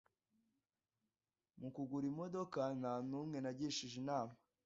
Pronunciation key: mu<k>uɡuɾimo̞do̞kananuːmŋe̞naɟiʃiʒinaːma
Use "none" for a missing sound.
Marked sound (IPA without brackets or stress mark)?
k